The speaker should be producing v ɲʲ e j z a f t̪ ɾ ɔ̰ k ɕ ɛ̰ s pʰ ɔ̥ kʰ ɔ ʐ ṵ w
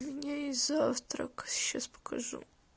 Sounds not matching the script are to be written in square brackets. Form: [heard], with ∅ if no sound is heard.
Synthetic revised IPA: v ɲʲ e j z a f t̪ ɾ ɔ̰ k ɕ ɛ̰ s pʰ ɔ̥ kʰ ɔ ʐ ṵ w